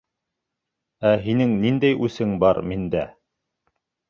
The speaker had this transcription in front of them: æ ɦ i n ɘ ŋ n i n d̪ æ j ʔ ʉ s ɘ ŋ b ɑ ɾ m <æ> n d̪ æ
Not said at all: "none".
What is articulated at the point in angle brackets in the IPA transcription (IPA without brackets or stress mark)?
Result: i